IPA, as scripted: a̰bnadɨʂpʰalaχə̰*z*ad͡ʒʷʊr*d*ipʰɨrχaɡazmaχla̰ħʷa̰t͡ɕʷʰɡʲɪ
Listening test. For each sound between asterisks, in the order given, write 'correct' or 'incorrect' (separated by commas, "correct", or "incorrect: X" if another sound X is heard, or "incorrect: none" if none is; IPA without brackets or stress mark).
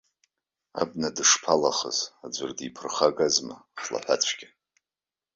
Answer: correct, correct